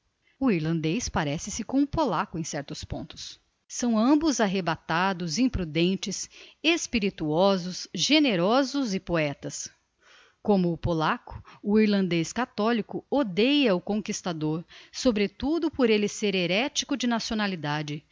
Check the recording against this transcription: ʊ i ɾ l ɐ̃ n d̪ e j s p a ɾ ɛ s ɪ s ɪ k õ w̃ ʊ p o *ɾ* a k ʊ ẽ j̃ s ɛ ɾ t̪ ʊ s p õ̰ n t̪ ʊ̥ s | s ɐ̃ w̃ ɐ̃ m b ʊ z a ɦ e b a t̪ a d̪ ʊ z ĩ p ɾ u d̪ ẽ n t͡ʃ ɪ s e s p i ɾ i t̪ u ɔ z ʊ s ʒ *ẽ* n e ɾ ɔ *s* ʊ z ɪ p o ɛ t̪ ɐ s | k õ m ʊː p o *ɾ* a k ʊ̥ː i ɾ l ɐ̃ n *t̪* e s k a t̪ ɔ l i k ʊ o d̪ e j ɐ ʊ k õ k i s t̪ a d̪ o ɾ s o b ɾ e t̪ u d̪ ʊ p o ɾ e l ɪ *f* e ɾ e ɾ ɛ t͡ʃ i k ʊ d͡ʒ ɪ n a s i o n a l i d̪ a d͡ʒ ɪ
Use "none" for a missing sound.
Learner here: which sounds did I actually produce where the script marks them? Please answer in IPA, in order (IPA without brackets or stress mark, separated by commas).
l, e, z, l, d̪, s